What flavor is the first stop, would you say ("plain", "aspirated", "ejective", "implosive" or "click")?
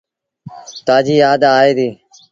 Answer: plain